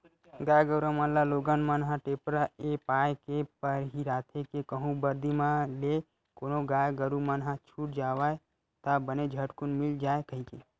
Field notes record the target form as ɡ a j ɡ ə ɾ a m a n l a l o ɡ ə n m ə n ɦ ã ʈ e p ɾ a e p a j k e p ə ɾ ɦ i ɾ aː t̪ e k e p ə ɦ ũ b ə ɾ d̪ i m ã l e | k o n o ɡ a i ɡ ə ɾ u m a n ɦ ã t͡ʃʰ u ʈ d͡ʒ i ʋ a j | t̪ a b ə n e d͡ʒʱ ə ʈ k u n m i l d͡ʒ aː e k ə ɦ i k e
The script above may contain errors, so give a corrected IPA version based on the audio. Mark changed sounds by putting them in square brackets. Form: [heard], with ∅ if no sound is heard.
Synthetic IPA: ɡ a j ɡ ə ɾ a m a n l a l o ɡ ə n m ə n ɦ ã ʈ e p ɾ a e p a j k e p ə ɾ ɦ i ɾ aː [t̪ʰ] e k e [k] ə ɦ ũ b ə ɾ d̪ i m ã l e | k o n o ɡ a [j] ɡ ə ɾ u m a n ɦ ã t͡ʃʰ u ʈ d͡ʒ [a] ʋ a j | t̪ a b ə n e d͡ʒʱ ə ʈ k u n m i l d͡ʒ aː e k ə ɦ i k e